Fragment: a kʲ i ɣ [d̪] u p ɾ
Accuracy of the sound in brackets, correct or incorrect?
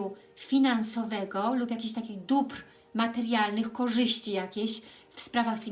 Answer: correct